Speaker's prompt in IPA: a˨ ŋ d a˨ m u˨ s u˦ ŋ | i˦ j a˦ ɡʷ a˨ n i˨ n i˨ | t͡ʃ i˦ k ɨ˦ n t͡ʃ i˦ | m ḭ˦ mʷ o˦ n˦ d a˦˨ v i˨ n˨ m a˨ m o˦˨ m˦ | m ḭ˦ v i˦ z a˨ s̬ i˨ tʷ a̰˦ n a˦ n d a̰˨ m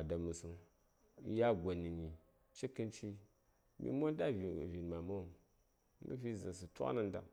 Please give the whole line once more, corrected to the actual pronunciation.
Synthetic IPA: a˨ d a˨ m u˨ s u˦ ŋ | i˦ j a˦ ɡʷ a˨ n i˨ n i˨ | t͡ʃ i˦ k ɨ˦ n t͡ʃ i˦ | m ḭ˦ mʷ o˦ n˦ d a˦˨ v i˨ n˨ m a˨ m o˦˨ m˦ | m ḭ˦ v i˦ z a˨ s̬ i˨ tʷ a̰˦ n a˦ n d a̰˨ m